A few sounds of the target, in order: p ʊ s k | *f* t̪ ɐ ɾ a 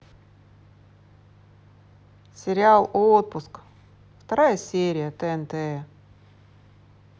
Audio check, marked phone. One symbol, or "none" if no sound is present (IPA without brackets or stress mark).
f